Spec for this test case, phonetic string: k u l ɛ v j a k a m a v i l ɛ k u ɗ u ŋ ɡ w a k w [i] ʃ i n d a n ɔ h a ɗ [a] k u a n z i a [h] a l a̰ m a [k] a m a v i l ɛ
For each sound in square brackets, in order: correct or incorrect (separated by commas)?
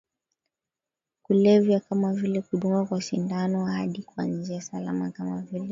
incorrect, incorrect, incorrect, correct